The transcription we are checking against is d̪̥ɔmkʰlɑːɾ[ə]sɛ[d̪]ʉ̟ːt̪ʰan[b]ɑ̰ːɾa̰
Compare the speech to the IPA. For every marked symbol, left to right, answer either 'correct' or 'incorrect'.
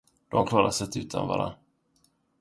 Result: incorrect, incorrect, incorrect

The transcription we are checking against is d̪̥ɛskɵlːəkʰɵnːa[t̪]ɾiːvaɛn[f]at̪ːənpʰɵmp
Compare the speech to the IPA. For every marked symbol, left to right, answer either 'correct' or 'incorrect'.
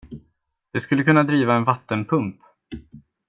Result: incorrect, incorrect

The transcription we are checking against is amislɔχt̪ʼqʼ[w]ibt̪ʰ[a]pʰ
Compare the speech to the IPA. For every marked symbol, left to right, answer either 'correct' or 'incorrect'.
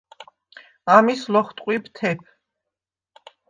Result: correct, incorrect

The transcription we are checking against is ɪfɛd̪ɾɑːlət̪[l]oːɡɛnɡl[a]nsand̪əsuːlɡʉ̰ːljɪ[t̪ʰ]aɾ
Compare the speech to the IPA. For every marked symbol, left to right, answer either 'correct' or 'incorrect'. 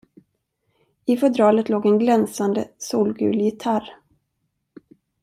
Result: correct, incorrect, correct

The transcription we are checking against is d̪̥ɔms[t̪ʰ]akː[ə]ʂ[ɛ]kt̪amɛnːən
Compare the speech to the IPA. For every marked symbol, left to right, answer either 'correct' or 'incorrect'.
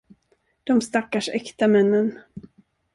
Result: incorrect, incorrect, correct

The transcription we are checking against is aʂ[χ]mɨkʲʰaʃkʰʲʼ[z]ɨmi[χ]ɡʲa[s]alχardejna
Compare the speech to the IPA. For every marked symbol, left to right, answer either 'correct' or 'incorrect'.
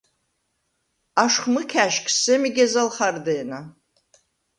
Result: correct, incorrect, incorrect, incorrect

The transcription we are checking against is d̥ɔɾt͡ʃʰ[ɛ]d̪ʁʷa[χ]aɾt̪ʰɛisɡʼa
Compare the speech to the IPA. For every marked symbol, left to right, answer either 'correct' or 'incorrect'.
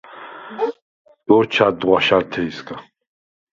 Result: incorrect, incorrect

